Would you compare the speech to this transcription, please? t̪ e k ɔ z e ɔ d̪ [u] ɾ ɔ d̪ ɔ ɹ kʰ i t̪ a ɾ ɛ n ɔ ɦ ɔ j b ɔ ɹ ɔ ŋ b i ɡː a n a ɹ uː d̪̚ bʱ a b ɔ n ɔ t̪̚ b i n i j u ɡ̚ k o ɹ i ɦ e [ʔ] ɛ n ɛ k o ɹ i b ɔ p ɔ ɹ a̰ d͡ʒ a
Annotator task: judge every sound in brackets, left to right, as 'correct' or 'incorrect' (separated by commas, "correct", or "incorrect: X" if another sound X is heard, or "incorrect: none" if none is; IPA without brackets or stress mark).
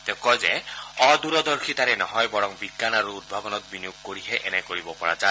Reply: correct, correct